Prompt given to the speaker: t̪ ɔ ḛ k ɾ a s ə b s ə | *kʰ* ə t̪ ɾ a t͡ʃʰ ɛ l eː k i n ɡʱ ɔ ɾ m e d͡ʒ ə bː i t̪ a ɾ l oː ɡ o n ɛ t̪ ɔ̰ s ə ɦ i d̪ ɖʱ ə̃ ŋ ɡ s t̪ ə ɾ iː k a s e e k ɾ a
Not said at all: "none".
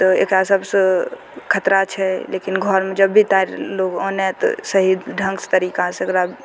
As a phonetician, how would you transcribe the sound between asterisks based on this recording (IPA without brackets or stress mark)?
kʰ